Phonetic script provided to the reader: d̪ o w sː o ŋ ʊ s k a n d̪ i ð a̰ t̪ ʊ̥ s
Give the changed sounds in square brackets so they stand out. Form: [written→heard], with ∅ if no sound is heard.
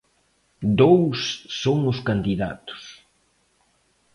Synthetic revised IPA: d̪ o w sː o ŋ ʊ s k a n d̪ i ð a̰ t̪ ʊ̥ s